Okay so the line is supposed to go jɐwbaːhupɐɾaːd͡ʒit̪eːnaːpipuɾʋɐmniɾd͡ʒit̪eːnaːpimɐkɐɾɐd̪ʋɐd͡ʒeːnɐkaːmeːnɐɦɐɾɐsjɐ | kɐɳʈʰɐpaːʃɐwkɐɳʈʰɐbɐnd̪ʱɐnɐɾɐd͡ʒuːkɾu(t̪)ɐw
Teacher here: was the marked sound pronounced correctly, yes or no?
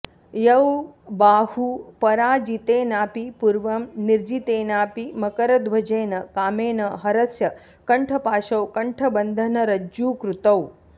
yes